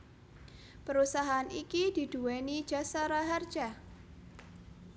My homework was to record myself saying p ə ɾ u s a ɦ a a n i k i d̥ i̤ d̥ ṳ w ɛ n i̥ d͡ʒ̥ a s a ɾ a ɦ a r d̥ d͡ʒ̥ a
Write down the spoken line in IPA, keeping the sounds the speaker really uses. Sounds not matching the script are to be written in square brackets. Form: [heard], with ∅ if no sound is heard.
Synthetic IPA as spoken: p ə ɾ u s a ɦ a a n i k i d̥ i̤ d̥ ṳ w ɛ n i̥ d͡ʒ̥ a s a ɾ a ɦ a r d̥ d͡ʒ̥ a